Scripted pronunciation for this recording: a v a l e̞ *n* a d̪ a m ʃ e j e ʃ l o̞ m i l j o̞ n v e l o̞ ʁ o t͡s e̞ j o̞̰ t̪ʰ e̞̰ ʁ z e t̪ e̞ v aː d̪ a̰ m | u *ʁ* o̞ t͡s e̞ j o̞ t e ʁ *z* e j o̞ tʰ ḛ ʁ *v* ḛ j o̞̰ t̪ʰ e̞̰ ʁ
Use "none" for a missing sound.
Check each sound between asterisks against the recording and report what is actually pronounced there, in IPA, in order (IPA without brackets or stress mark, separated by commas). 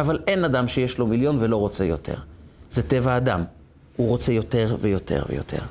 n, ʁ, v, v